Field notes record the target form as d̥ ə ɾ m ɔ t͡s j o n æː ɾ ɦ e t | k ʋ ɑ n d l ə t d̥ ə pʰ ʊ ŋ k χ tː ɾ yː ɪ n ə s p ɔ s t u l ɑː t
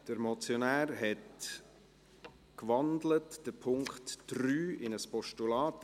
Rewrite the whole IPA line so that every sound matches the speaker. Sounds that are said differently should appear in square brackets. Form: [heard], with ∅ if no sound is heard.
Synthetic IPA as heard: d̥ ə ɾ m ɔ t͡s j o n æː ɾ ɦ [ɛ] t | k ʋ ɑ n d l ə t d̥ ə pʰ ʊ ŋ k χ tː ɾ yː ɪ n ə s p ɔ [ʃ] t u l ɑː t